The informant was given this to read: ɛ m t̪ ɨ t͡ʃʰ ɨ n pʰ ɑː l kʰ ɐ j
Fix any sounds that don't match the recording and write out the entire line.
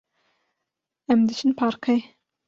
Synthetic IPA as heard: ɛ m d̪ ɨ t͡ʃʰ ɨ n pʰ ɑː ɾ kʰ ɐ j